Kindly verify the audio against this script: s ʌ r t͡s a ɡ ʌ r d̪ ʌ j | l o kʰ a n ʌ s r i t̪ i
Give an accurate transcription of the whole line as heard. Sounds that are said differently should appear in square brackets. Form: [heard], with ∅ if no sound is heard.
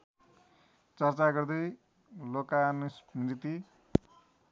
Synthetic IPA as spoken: [t͡s] ʌ r t͡s a ɡ ʌ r d̪ ʌ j | l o [k] a n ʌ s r i t̪ i